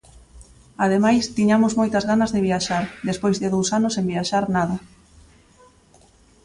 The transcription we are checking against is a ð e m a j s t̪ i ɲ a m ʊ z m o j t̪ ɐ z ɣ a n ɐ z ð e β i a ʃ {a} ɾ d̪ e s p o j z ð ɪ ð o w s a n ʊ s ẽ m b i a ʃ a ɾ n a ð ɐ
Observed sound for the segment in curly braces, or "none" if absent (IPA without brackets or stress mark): a